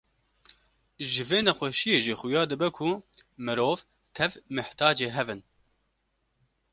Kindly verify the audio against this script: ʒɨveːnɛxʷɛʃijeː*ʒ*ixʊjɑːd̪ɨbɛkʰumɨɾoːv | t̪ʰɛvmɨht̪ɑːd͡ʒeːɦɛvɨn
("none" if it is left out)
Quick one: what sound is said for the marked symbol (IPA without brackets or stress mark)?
ʒ